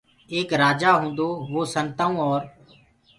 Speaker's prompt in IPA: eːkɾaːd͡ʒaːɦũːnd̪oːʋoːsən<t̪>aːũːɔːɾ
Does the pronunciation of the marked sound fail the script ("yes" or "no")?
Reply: no